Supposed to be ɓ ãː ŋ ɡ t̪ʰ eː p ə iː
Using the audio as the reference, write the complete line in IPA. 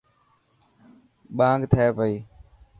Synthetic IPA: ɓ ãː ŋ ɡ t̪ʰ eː p ə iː